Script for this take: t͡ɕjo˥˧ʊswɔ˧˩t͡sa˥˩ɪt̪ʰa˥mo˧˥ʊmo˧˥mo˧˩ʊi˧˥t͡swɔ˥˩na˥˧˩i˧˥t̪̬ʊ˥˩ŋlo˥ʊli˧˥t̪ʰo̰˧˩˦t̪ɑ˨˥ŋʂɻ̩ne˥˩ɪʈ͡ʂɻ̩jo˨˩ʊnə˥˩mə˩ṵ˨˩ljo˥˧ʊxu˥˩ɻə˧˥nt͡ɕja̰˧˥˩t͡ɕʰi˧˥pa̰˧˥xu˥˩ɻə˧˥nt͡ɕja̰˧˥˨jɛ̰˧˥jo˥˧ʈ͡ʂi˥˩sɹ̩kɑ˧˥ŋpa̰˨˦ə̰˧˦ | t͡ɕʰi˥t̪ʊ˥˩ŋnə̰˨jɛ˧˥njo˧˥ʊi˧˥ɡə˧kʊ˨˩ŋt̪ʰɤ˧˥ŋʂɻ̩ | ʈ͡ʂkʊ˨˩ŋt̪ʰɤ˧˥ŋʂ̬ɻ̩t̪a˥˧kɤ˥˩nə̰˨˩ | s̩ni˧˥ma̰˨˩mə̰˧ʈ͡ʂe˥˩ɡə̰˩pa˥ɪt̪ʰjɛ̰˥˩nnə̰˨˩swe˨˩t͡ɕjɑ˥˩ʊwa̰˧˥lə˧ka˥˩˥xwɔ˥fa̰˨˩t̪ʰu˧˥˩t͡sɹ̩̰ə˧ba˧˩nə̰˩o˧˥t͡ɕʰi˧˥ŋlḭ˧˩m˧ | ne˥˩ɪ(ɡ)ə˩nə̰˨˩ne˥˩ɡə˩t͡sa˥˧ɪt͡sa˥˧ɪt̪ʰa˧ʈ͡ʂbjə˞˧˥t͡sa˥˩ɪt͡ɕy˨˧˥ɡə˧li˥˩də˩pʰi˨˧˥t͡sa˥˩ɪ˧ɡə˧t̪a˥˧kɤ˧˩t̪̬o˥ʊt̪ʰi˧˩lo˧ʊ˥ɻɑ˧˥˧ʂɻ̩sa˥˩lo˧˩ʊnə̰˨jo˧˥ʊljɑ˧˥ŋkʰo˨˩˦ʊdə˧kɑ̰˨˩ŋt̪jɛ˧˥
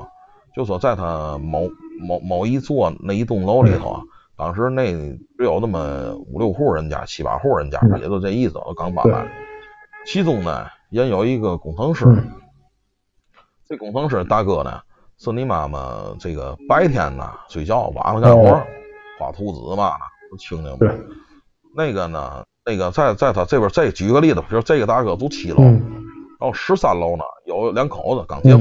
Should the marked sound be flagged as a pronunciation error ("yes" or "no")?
no